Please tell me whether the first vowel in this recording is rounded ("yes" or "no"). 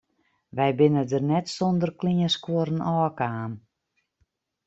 no